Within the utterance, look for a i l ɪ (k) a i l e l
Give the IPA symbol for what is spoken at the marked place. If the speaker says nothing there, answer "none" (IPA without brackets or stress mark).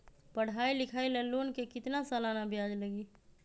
kʰ